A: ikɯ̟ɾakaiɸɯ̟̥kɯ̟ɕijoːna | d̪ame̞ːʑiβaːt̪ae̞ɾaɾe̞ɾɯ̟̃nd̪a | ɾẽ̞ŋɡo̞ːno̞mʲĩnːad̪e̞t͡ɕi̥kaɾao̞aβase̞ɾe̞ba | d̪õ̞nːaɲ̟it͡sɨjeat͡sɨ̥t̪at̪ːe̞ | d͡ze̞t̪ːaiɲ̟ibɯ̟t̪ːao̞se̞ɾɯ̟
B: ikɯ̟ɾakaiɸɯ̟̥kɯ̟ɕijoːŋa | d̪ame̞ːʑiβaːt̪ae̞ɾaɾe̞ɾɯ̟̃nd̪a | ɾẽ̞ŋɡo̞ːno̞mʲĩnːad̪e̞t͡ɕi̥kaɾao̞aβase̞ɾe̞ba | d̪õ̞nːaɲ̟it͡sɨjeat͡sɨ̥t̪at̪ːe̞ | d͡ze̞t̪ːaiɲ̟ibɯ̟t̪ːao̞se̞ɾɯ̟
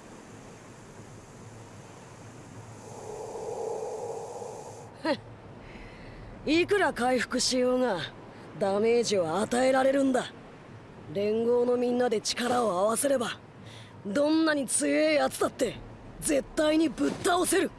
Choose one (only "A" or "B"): B